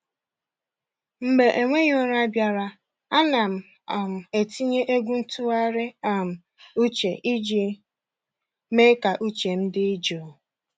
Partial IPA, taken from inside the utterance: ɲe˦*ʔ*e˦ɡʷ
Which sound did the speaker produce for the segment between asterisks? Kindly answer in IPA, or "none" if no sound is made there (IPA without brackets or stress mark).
ʔ